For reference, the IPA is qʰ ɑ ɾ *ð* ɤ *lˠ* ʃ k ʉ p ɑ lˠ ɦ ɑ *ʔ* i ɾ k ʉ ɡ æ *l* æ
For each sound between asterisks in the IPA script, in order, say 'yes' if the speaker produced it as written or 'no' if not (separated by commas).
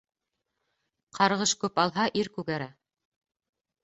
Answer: no, no, yes, no